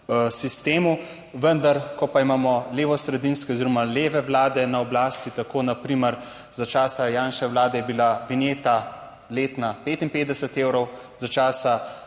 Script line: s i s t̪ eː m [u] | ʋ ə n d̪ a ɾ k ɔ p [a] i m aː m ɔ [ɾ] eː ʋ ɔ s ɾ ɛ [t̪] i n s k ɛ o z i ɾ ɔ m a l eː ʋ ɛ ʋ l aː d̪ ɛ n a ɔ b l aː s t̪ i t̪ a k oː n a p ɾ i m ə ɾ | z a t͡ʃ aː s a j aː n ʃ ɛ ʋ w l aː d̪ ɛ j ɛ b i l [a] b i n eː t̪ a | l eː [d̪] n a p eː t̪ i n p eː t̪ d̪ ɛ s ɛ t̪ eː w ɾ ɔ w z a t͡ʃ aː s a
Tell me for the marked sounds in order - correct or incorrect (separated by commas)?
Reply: correct, correct, incorrect, incorrect, correct, incorrect